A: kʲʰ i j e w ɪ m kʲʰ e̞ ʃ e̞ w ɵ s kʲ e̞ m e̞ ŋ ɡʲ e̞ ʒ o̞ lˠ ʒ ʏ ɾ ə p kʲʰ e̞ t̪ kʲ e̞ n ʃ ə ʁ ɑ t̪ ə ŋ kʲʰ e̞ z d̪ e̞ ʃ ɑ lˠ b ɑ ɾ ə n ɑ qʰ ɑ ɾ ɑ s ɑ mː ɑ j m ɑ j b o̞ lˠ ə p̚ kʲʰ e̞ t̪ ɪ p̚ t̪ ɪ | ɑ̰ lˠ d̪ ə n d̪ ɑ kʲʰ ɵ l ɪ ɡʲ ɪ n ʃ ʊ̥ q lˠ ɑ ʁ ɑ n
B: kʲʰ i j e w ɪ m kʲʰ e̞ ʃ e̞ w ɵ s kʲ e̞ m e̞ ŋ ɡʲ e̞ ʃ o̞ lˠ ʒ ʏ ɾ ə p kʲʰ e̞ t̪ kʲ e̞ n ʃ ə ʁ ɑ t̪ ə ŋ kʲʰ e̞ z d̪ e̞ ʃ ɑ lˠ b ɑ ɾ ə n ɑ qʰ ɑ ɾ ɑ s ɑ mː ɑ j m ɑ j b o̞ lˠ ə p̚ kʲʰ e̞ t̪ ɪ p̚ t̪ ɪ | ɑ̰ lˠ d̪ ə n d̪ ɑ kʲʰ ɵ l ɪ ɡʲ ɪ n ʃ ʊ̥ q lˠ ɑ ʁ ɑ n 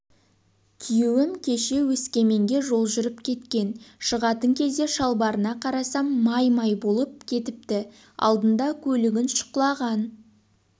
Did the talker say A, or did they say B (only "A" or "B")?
A